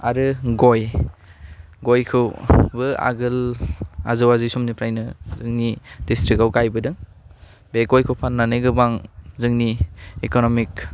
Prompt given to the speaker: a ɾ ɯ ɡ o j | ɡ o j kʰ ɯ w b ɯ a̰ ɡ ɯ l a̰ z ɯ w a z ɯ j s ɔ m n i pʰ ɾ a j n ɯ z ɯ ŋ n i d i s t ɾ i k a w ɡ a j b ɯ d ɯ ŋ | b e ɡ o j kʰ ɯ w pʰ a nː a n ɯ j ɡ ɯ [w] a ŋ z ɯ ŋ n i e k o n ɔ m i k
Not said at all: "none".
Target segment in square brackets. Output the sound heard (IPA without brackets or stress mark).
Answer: b